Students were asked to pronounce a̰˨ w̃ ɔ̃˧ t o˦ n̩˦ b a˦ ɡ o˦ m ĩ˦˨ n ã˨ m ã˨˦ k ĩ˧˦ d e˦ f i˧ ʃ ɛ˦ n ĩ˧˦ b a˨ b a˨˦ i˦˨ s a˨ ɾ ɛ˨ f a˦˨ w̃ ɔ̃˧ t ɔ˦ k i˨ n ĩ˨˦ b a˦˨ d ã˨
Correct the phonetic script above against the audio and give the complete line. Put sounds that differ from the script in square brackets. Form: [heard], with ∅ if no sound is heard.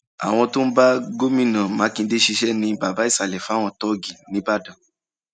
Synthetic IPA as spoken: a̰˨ w̃ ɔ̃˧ t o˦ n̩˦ b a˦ ɡ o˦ m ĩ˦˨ n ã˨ m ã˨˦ k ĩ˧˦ d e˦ [ʃ] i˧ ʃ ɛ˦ n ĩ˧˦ b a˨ b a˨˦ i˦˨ s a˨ [l] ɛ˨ f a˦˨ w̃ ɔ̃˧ t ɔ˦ [ɡ] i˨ n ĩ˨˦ b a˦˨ d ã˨